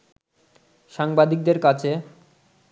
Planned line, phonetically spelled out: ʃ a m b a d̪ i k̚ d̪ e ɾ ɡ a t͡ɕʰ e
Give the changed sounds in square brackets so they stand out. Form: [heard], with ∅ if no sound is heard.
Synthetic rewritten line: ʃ a [ŋ] b a d̪ i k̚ d̪ e ɾ [k] a t͡ɕʰ e